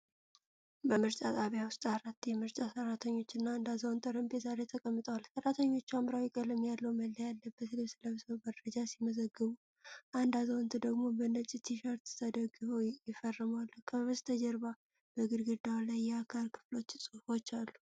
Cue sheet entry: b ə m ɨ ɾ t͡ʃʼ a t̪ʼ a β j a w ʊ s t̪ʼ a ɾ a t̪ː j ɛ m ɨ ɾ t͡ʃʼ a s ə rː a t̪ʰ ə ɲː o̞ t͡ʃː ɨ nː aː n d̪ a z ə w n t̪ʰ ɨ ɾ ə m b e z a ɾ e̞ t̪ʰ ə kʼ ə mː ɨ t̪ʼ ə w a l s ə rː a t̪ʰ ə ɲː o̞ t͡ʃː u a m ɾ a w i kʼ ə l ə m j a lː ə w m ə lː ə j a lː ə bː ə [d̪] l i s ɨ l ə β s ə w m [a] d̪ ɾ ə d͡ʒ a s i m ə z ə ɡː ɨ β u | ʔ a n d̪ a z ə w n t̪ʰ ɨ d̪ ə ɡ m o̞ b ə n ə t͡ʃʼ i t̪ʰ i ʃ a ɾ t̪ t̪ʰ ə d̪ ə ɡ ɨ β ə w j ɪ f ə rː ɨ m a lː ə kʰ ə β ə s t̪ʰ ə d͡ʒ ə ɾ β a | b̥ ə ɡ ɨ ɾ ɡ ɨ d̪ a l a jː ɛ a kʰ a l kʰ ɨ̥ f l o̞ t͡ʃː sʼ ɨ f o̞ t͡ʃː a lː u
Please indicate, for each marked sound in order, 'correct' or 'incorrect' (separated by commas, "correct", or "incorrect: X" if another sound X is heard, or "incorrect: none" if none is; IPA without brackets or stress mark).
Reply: incorrect: t̪, incorrect: ə